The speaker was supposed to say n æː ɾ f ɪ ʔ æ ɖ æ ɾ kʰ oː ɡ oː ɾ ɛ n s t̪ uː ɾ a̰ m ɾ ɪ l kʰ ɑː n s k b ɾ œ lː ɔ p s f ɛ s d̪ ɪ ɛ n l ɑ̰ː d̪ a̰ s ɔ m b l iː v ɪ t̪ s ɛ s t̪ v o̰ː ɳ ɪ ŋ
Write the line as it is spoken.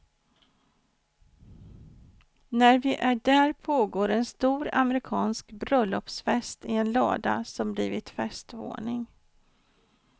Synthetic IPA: n æ ɾ v ɪ ʔ æ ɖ æ ɾ pʰ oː ɡ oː ɾ ɛ n s t̪ uː ɾ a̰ m ɾ ɪ kʰ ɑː n s k b ɾ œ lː ɔ p s f ɛ s t̪ ɪ ɛ n l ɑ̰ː d̪ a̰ s ɔ m b l iː v ɪ t̪ f ɛ s t̪ v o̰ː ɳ ɪ ŋ